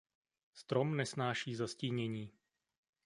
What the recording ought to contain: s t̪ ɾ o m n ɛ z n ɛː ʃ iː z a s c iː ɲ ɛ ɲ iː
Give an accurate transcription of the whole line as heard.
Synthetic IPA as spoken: s t̪ ɾ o m n ɛ s n aː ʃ iː z a s c iː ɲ ɛ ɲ iː